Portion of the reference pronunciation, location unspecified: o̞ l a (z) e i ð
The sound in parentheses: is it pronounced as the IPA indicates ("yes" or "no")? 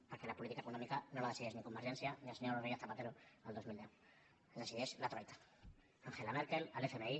no